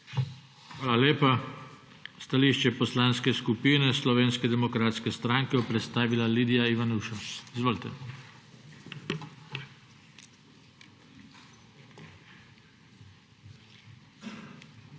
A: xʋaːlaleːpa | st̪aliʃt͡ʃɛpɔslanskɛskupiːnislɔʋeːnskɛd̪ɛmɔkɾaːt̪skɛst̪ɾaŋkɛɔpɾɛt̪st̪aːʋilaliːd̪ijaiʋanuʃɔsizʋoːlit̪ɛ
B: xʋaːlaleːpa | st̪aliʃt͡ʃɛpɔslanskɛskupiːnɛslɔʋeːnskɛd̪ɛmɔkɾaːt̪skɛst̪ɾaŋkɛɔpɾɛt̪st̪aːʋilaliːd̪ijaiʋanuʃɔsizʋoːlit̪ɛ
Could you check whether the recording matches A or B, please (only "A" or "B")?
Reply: B